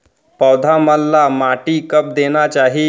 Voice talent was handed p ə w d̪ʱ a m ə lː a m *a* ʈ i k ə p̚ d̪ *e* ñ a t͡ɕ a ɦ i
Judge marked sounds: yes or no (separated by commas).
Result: yes, yes